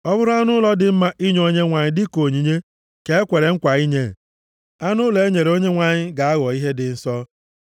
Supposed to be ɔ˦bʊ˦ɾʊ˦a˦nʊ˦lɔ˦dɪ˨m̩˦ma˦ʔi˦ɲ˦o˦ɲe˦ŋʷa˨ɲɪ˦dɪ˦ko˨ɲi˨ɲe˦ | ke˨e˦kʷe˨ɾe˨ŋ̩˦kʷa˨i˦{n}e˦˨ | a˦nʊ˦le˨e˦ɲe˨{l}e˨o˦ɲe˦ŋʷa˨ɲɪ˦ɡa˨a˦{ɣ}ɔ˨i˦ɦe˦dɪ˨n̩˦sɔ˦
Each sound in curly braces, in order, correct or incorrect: incorrect: ɲ, incorrect: ɾ, correct

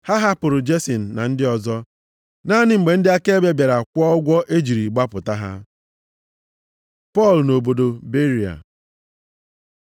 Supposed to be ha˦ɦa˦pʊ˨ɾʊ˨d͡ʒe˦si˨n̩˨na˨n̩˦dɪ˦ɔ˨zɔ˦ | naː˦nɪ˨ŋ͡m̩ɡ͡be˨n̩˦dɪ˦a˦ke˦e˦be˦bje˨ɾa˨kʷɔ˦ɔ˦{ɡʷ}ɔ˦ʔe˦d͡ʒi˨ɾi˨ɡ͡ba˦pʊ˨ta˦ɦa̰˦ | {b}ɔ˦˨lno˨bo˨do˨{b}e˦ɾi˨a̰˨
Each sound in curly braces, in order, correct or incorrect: correct, incorrect: p, correct

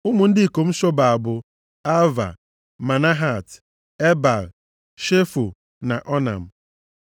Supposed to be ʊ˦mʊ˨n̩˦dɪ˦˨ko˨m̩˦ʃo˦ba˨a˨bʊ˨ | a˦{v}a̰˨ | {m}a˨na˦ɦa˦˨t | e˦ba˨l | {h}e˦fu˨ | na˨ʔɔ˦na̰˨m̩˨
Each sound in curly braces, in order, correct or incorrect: correct, correct, incorrect: ʃ

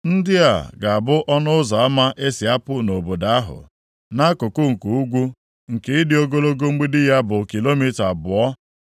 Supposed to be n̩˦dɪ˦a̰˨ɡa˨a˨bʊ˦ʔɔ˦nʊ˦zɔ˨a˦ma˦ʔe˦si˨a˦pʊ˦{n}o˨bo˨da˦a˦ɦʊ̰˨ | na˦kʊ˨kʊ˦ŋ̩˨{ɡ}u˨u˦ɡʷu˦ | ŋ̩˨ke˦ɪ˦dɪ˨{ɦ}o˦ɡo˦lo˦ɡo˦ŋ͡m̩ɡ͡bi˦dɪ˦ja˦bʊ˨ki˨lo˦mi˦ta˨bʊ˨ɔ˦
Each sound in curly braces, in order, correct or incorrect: correct, incorrect: k, incorrect: none

